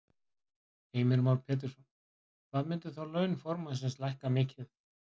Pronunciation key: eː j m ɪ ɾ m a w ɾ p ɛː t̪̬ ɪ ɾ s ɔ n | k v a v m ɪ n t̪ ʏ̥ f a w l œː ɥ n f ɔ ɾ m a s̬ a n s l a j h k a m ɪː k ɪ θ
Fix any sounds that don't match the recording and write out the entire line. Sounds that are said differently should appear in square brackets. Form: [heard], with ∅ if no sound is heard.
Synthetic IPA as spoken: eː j m ɪ ɾ m a w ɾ [pʰ] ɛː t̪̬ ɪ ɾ s ɔ n | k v a [ð] m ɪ n t̪ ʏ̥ [θ] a w l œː ɥ n f ɔ ɾ m a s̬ [ɛ] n s l a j h k a m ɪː [c] ɪ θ